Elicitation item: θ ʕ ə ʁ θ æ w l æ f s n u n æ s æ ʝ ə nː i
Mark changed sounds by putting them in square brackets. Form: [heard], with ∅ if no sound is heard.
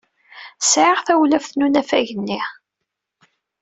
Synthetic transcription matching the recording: [s] ʕ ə ʁ θ æ w l æ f [θ] n u n æ [f] æ ʝ ə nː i